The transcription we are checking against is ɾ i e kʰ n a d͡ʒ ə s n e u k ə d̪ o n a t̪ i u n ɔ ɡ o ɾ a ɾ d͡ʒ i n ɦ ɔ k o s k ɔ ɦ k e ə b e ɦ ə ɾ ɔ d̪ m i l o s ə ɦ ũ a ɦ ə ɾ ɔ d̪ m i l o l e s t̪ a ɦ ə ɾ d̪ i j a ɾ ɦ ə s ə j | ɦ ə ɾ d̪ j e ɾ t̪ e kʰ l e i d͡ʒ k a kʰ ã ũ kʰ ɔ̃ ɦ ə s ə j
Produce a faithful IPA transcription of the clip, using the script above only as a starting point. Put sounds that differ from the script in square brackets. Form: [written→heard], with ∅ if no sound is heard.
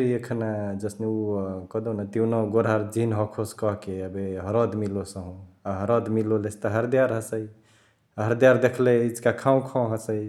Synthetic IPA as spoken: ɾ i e kʰ n a d͡ʒ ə s n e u k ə d̪ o n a t̪ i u n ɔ ɡ o ɾ a ɾ d͡ʒ i n ɦ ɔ [k→kʰ] o s k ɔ ɦ k e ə b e ɦ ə ɾ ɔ d̪ m i l o s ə ɦ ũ a ɦ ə ɾ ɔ d̪ m i l o l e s t̪ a ɦ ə ɾ d̪ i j a ɾ ɦ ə s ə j | ɦ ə ɾ d̪ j [e→a] ɾ [t̪→d̪] e kʰ l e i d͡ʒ k a kʰ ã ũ kʰ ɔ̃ ɦ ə s ə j

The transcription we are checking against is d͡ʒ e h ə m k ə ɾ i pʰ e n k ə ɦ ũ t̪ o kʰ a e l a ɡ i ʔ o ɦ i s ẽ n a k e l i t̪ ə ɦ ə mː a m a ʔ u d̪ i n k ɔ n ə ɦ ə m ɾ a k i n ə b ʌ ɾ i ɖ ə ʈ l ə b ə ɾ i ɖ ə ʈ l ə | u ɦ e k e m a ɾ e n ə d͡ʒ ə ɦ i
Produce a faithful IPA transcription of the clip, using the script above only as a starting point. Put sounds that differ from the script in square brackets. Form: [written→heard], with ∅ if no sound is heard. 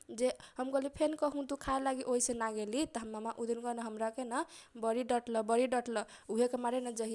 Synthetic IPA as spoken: d͡ʒ e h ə m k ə [ɾ→l] i pʰ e n k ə ɦ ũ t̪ [o→u] kʰ a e l a ɡ i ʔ o ɦ i s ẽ n a [k→ɡ] e l i t̪ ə ɦ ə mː a m a ʔ u d̪ i n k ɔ n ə ɦ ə m ɾ a k [i→e] n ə b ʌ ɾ i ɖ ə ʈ l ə b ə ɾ i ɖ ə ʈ l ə | u ɦ e k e m a ɾ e n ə d͡ʒ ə ɦ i

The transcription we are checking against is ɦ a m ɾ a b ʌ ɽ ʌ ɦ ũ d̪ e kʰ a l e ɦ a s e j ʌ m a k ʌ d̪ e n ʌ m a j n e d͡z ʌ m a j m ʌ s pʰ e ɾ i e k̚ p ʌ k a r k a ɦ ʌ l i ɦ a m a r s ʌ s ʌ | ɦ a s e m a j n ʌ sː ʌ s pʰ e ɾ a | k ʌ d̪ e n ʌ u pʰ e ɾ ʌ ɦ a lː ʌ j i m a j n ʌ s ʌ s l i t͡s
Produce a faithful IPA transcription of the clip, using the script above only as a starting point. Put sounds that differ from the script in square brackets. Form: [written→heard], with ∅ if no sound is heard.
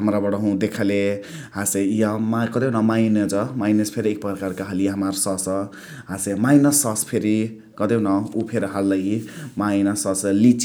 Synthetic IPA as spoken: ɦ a m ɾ a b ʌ ɽ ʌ ɦ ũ d̪ e kʰ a l e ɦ a s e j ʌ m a k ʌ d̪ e n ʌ m a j n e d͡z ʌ m a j [m→n] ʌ s pʰ e ɾ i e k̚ p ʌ k a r k a ɦ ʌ l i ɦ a m a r s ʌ s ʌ | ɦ a s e m a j n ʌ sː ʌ s pʰ e ɾ [a→i] | k ʌ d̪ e n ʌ u pʰ e ɾ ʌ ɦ a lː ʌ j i m a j n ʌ s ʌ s l i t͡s

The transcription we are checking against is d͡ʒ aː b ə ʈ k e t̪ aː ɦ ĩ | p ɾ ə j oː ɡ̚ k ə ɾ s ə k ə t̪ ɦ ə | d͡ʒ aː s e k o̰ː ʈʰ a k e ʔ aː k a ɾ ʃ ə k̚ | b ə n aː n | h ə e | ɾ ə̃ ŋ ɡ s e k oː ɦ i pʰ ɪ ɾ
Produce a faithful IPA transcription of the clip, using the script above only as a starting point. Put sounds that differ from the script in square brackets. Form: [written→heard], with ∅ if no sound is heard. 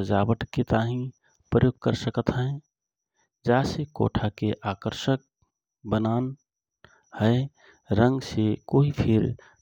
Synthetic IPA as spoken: d͡ʒ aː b ə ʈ k e t̪ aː ɦ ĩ | p ɾ ə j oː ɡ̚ k ə ɾ s ə k ə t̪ ɦ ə | d͡ʒ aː s e k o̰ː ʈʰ a k e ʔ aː k [a→ə] ɾ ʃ ə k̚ | b ə n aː n | h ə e | ɾ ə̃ ŋ ɡ s e k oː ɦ i pʰ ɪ ɾ

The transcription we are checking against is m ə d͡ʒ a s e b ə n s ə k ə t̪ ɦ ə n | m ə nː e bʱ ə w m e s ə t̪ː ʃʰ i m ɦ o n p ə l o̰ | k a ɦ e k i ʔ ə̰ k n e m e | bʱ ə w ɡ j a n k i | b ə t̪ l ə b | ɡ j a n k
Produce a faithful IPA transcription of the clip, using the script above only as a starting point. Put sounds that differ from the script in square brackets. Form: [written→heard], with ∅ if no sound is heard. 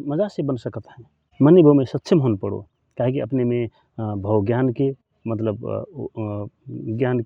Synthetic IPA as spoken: m ə d͡ʒ a s e b ə n s ə k ə t̪ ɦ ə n | m ə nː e bʱ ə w m e s ə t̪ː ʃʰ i m ɦ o n p ə [l→ɽ] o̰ | k a ɦ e k i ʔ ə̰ [k→p] n e m e | bʱ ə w ɡ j a n k [i→e] | [b→m] ə t̪ l ə b | ɡ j a n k

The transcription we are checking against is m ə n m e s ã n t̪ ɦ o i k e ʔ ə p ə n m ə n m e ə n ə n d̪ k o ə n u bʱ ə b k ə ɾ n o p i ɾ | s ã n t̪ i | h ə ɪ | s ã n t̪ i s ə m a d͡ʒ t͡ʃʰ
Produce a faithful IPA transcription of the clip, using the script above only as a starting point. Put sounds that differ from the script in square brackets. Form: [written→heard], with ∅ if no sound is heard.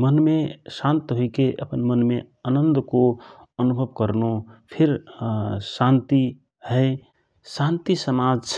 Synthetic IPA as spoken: m ə n m e s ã n t̪ ɦ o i k e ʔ ə p ə n m ə n m e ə n ə n d̪ k o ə n u bʱ ə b k ə ɾ n o [p→pʰ] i ɾ | s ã n t̪ i | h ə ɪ | s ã n t̪ i s ə m a d͡ʒ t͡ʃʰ

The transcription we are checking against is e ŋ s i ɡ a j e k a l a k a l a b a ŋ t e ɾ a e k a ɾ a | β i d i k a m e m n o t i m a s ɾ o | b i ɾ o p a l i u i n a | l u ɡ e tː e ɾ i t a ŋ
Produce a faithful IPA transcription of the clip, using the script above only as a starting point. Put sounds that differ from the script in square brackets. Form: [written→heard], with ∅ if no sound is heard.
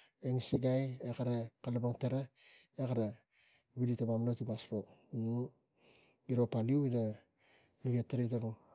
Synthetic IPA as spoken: e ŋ s i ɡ a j e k a [l→ɾ] a k a l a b a ŋ t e ɾ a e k a ɾ a | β i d i [k→t] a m [e→a] m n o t i m a s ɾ o | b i ɾ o p a l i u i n a | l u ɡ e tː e ɾ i t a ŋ

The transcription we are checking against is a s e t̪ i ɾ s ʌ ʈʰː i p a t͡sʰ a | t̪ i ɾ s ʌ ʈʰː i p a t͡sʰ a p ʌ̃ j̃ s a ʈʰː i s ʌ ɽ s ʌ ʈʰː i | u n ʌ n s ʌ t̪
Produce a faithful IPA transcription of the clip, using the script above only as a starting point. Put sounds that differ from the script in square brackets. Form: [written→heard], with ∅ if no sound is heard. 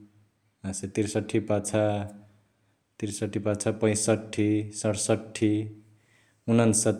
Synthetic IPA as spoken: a s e t̪ i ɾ s ʌ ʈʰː i p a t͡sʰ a | t̪ i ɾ s ʌ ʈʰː i p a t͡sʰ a p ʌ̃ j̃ s [a→ʌ] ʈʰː i s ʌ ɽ s ʌ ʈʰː i | u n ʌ n s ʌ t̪

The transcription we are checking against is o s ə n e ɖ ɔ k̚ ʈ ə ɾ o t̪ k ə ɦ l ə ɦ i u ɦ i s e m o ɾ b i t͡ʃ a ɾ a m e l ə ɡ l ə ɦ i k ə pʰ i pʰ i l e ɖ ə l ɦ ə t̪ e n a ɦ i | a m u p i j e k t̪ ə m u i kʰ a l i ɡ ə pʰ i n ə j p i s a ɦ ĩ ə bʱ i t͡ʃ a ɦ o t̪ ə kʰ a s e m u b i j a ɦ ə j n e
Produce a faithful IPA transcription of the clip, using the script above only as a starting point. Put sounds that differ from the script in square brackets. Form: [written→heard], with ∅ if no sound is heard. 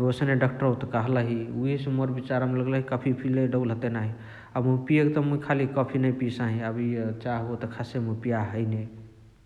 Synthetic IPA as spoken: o s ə n e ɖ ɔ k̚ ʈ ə ɾ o t̪ k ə ɦ l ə ɦ i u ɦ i s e m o ɾ b i t͡ʃ a ɾ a m e l ə ɡ l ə ɦ i k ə pʰ i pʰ i l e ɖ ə l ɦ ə t̪ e n a ɦ i | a m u p i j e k t̪ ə m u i kʰ a l i [ɡ→k] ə pʰ i n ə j p i s a ɦ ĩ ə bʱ i t͡ʃ a ɦ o t̪ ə kʰ a s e m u [b→p] i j a ɦ ə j n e

